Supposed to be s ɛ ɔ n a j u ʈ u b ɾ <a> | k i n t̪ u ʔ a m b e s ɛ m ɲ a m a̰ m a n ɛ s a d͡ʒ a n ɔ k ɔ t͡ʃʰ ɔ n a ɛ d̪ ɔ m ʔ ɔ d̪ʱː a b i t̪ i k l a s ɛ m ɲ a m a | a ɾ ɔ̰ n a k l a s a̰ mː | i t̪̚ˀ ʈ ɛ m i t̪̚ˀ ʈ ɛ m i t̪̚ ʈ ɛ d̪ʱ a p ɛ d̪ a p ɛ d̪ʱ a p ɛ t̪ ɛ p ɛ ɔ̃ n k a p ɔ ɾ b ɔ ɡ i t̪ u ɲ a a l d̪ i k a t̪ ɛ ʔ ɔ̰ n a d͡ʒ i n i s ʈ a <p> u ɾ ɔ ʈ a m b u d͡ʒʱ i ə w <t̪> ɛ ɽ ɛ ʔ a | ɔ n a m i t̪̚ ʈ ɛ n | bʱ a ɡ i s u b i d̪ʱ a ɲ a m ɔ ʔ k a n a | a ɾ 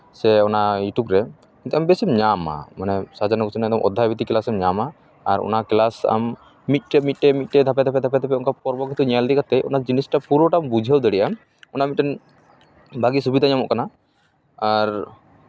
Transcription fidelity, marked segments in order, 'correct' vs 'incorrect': incorrect: ɛ, correct, incorrect: d̪

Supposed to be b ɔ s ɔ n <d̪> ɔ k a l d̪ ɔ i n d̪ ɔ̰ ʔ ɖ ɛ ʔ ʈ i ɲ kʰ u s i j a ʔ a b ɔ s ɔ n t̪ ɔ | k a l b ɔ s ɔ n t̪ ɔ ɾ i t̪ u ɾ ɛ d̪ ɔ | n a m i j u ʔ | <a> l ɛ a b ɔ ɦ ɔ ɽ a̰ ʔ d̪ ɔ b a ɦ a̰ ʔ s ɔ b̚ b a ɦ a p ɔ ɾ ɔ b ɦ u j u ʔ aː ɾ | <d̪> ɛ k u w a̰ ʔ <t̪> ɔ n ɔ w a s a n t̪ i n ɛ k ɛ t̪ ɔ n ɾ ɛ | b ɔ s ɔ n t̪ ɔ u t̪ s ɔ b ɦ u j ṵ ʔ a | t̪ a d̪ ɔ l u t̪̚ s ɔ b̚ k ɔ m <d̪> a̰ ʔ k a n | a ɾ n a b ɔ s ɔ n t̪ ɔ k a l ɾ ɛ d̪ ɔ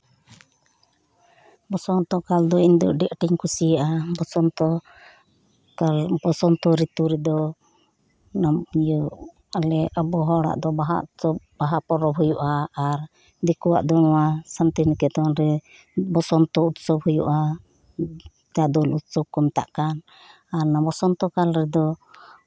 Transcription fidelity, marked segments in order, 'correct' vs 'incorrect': incorrect: t̪, correct, correct, incorrect: d̪, incorrect: t̪

